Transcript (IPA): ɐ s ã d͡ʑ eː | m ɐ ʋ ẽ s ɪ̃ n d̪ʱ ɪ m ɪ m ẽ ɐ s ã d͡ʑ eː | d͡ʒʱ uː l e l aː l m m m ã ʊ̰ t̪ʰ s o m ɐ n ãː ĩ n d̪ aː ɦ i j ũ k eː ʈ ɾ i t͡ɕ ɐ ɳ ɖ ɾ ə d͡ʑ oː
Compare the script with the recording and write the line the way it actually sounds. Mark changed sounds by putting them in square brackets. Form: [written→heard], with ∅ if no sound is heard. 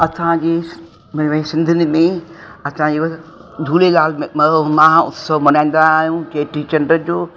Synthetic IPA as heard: ɐ s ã d͡ʑ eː | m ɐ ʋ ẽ s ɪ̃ n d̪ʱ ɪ [m→n] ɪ m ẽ ɐ s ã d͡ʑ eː | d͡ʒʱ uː l e l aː l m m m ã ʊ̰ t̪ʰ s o m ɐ n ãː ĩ n d̪ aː ɦ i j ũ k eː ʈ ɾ i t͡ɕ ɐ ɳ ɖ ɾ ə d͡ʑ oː

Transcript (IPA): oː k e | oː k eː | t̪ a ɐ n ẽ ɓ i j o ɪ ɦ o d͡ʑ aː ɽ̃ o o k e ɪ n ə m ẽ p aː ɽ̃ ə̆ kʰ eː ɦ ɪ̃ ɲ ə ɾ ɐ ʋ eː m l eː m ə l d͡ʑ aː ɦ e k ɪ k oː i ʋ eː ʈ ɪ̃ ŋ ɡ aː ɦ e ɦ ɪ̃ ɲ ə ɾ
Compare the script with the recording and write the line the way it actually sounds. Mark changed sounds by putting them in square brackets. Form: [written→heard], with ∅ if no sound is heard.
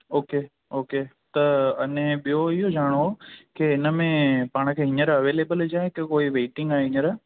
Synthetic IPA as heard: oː k e | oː k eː | t̪ [a→ɐ] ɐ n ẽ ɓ i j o ɪ ɦ o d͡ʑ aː ɽ̃ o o k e ɪ n ə m ẽ p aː ɽ̃ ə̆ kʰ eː ɦ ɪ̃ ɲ ə ɾ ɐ ʋ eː [m→∅] l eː [m→b] ə l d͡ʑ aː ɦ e k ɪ k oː i ʋ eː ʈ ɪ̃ ŋ ɡ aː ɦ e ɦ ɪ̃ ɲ ə ɾ

